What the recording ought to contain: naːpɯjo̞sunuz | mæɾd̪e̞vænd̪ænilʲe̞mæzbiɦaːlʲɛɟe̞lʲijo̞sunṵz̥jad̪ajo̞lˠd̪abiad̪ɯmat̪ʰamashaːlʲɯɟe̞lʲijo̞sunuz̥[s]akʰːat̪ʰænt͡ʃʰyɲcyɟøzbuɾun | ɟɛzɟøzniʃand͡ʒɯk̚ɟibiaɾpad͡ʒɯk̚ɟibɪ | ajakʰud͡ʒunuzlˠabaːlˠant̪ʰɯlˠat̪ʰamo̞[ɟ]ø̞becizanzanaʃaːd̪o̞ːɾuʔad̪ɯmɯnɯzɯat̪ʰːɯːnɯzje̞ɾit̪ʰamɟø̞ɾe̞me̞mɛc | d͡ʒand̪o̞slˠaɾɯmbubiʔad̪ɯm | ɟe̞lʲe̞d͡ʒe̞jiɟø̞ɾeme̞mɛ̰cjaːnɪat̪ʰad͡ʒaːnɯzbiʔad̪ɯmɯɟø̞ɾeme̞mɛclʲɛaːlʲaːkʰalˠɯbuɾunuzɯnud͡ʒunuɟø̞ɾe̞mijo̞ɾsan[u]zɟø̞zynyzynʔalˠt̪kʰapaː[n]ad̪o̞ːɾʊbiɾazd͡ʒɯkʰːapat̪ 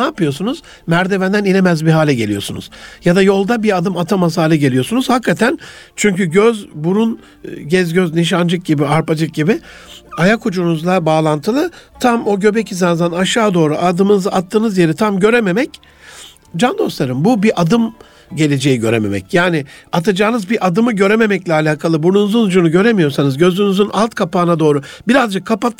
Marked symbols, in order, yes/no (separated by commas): no, yes, no, yes